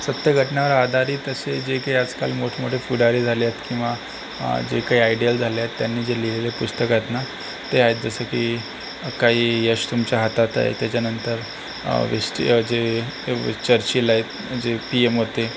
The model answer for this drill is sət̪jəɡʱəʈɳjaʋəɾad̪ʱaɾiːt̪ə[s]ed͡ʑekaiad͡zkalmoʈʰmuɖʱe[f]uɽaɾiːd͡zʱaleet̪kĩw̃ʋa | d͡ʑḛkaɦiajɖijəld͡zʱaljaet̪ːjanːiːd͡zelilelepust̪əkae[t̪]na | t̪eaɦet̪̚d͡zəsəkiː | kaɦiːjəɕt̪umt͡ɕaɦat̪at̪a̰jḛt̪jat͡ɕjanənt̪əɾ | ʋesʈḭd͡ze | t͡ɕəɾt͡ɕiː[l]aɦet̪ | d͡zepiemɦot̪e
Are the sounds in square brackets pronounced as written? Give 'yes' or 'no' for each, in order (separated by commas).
yes, yes, yes, yes